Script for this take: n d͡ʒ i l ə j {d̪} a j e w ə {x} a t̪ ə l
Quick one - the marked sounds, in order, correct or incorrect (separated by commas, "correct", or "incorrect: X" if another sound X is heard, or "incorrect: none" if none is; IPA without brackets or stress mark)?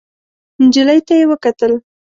incorrect: t̪, incorrect: k